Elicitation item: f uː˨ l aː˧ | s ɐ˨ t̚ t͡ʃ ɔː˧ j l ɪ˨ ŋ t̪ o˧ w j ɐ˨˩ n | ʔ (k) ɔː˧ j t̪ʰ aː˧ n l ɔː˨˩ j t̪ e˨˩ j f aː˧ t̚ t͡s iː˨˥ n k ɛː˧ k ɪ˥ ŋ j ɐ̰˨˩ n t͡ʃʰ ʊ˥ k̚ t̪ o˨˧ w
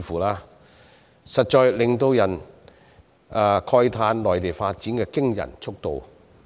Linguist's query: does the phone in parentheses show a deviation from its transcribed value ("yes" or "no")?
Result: yes